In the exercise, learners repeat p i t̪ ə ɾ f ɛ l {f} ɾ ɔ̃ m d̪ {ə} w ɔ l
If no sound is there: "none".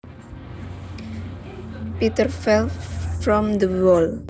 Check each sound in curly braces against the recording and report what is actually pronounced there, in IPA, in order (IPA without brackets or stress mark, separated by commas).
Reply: f, ə